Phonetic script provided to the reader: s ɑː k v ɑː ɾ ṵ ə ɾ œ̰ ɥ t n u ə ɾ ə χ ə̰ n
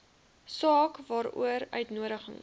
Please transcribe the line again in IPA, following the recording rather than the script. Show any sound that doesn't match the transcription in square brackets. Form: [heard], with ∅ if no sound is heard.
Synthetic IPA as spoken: s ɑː k v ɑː ɾ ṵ ə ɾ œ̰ ɥ t n u ə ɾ ə χ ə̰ [ŋ]